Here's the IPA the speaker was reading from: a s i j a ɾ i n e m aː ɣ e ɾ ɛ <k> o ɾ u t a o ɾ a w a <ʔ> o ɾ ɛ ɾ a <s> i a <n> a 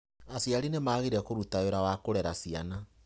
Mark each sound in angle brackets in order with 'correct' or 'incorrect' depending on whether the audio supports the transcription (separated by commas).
correct, incorrect, correct, correct